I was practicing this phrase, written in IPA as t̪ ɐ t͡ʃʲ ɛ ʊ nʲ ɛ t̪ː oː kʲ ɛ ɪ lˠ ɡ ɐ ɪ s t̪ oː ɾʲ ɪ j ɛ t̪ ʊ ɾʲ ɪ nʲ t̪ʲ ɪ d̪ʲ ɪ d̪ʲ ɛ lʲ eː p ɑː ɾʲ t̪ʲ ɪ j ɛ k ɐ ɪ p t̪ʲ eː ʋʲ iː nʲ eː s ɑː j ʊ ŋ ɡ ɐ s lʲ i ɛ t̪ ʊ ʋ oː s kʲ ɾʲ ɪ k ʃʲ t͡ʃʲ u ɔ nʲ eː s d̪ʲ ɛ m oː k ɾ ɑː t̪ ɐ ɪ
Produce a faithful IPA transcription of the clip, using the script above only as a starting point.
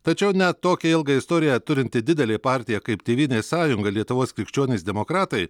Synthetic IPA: t̪ ɐ t͡ʃʲ ɛ ʊ nʲ ɛ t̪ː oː kʲ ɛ ɪ lˠ ɡ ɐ ɪ s t̪ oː ɾʲ ɪ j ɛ t̪ ʊ ɾʲ ɪ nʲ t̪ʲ ɪ d̪ʲ ɪ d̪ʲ ɛ lʲ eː p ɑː ɾʲ t̪ʲ ɪ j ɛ k ɐ ɪ p t̪ʲ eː ʋʲ iː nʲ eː s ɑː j ʊ ŋ ɡ ɐ lʲ i ɛ t̪ ʊ ʋ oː s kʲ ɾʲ ɪ k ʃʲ t͡ʃʲ u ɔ nʲ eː s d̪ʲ ɛ m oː k ɾ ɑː t̪ ɐ ɪ